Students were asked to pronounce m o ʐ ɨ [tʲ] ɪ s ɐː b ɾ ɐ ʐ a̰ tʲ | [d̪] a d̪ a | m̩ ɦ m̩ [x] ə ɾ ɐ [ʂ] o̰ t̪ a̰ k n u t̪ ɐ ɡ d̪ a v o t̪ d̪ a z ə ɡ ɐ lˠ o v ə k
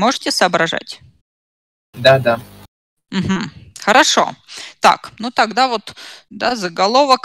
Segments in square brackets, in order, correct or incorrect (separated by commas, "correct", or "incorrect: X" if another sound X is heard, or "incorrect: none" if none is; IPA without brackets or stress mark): correct, correct, correct, correct